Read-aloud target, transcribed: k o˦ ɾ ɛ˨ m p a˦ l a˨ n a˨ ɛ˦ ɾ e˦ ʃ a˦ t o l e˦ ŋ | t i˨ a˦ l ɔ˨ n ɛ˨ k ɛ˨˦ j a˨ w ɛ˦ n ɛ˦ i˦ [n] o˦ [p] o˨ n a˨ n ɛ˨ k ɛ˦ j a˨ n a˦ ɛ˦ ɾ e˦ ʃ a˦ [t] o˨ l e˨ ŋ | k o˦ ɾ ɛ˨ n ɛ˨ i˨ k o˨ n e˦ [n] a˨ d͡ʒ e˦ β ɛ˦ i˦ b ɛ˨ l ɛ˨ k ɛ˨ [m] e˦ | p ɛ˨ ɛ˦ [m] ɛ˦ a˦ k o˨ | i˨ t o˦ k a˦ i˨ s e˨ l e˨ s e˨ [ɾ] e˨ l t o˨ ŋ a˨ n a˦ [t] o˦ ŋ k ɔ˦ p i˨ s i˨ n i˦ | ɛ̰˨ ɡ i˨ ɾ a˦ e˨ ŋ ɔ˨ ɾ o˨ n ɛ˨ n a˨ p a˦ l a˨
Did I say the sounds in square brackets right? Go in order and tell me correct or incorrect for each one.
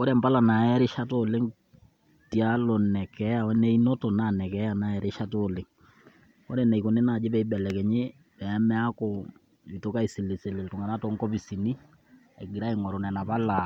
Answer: correct, incorrect: t, correct, correct, incorrect: ɲ, correct, incorrect: l, correct

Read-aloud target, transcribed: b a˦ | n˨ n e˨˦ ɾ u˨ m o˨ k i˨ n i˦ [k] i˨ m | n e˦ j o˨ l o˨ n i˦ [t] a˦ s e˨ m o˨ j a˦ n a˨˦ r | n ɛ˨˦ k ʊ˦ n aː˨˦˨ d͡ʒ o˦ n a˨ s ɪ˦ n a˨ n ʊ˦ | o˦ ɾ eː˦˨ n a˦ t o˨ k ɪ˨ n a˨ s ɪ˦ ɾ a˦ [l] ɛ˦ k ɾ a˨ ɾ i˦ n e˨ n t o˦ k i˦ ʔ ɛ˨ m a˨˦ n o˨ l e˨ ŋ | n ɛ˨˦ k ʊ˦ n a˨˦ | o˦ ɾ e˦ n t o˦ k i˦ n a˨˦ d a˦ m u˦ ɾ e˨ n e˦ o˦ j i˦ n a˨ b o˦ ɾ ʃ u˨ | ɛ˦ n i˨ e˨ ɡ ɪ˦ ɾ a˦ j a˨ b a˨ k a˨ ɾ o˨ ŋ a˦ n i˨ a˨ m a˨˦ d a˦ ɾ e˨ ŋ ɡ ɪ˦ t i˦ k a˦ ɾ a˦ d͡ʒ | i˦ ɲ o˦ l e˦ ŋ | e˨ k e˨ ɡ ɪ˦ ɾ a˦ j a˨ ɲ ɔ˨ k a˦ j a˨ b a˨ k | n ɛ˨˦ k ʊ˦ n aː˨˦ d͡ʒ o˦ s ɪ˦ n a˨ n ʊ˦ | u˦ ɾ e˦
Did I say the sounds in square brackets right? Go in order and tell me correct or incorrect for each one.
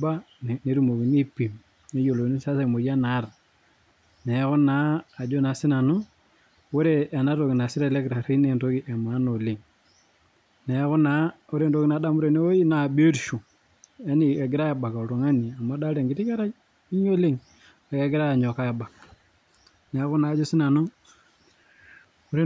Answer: incorrect: p, incorrect: s, correct

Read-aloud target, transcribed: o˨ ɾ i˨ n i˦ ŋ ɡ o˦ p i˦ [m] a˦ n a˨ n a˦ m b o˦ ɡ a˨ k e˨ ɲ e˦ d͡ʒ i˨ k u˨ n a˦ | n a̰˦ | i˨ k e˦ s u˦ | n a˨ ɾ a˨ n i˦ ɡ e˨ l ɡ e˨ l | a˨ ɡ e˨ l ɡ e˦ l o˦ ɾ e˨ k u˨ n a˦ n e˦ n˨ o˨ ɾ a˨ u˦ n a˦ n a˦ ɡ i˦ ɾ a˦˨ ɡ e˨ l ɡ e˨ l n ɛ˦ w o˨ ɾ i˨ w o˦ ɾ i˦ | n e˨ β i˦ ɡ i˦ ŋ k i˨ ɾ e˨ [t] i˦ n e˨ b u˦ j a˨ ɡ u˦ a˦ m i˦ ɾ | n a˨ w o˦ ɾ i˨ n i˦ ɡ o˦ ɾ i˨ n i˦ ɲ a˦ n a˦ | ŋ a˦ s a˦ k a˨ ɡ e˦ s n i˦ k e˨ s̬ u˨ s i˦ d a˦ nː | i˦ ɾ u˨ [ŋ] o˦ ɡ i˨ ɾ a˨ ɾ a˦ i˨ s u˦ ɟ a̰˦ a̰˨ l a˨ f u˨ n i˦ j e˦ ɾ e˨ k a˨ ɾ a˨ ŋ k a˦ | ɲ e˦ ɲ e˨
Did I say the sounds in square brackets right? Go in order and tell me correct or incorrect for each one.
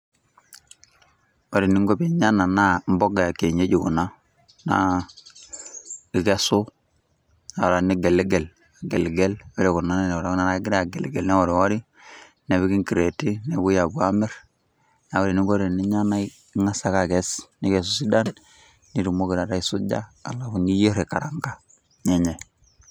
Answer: incorrect: ɲ, correct, incorrect: m

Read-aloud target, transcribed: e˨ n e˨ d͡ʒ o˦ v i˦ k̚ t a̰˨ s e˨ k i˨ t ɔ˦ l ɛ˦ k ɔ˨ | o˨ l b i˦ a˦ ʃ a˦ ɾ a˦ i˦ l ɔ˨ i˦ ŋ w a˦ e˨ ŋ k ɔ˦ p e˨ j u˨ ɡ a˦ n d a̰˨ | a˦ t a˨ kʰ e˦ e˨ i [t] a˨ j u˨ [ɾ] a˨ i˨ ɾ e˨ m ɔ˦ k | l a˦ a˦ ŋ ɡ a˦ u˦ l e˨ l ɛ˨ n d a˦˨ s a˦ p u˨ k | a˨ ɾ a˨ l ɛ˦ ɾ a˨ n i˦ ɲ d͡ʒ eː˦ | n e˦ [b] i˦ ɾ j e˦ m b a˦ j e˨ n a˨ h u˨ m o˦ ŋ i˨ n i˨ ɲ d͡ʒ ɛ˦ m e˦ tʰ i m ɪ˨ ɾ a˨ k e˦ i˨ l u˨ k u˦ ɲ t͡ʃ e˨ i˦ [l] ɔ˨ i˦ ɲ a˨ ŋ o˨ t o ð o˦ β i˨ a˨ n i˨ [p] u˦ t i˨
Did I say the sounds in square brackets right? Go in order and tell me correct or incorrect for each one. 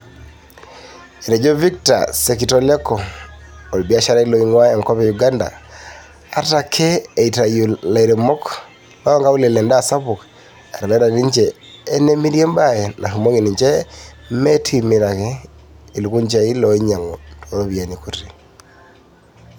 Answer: correct, incorrect: l, incorrect: m, correct, incorrect: k

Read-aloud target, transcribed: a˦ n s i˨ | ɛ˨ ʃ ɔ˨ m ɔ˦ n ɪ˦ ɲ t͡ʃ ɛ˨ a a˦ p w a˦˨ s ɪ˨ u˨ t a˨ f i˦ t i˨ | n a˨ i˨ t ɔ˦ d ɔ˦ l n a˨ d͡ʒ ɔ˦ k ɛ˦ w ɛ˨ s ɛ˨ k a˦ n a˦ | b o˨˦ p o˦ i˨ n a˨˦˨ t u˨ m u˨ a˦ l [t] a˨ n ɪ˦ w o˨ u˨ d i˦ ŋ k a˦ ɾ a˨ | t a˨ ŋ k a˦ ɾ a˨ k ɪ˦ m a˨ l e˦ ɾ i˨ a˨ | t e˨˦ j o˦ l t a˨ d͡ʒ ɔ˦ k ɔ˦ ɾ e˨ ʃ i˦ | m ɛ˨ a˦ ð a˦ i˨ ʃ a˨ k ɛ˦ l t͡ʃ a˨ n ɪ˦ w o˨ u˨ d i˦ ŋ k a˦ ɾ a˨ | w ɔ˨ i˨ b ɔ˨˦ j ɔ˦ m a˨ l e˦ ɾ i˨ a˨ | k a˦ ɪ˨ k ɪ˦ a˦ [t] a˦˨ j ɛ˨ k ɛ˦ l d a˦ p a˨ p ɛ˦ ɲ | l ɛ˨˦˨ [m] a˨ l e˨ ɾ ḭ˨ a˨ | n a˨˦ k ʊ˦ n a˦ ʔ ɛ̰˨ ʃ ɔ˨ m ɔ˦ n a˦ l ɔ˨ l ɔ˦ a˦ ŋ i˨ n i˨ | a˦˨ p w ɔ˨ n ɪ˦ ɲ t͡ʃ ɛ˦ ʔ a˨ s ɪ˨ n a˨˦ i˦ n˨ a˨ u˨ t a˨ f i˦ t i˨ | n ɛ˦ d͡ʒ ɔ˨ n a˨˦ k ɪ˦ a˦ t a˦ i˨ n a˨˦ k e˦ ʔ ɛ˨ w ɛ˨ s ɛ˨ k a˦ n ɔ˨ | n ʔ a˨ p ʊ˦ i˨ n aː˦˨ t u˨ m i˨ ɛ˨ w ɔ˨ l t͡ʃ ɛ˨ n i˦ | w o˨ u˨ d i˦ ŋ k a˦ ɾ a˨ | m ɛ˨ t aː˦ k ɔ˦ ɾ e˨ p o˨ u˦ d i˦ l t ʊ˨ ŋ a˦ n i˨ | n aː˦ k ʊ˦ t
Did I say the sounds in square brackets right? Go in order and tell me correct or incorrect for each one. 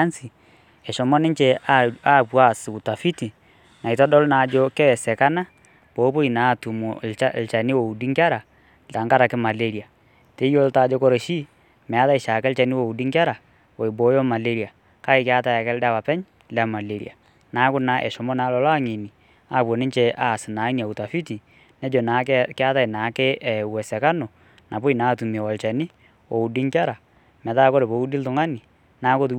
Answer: incorrect: t͡ʃ, correct, correct

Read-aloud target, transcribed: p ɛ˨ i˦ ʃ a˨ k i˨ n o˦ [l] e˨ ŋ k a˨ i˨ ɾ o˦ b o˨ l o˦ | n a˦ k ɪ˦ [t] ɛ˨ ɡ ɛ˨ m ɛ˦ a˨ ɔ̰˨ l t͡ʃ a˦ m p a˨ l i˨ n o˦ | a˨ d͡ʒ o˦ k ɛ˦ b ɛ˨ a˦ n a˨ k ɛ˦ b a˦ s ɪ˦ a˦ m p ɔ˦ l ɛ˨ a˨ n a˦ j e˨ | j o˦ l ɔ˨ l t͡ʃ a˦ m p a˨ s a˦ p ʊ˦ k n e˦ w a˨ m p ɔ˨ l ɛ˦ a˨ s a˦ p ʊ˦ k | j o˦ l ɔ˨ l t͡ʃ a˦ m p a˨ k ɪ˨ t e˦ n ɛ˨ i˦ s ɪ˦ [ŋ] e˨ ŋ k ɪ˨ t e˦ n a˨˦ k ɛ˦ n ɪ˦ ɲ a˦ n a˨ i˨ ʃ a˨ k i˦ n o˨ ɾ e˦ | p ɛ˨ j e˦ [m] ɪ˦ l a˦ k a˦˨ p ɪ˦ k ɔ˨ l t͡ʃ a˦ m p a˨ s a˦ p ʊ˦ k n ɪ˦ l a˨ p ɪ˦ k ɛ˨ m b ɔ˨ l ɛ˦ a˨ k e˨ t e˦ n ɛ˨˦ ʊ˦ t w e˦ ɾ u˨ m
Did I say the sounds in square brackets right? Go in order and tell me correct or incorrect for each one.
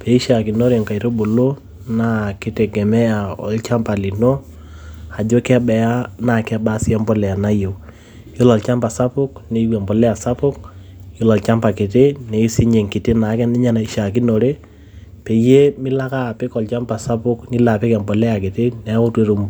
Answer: incorrect: ɾ, correct, incorrect: ɲ, correct

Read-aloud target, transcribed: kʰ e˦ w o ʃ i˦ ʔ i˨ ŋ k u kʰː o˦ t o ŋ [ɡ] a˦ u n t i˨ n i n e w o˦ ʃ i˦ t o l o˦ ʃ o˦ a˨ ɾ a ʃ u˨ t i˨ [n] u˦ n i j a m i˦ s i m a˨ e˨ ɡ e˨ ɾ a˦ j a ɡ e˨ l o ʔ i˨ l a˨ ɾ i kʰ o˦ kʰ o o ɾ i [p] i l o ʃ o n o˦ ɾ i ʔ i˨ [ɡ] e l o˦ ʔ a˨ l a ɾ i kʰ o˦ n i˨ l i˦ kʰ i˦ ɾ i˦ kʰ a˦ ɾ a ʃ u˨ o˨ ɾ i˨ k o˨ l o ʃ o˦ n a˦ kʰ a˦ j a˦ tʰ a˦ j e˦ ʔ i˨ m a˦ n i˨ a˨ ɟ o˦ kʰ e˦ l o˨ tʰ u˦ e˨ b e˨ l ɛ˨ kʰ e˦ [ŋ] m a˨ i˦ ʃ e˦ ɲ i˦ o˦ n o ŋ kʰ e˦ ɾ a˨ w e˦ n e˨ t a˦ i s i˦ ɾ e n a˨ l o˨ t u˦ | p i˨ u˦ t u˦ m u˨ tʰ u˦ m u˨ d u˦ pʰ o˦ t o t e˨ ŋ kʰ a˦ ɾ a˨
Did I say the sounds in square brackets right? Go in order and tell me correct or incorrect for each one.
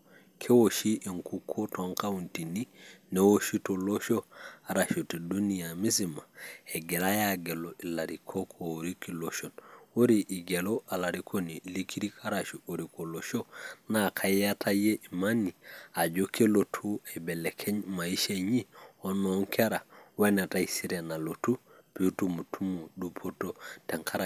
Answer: incorrect: k, incorrect: d, incorrect: k, correct, incorrect: ɲ

